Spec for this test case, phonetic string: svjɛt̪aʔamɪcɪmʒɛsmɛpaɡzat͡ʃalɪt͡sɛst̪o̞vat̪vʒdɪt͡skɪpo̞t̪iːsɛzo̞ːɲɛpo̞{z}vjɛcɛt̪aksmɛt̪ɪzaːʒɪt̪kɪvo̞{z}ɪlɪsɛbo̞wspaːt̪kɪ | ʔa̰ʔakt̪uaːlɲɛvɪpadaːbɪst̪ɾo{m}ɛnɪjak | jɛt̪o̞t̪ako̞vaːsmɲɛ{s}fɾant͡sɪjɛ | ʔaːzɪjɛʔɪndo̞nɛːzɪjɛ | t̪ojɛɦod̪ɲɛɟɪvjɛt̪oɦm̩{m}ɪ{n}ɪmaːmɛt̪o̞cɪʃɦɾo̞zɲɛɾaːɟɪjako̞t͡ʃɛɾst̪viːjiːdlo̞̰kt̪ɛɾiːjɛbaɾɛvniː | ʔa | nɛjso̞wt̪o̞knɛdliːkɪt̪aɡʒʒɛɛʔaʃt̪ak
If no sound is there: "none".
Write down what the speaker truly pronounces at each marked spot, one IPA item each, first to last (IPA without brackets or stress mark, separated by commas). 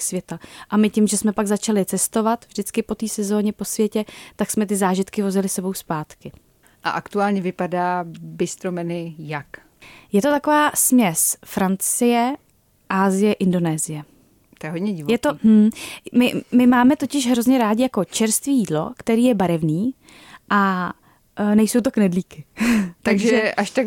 s, z, m, s, m, m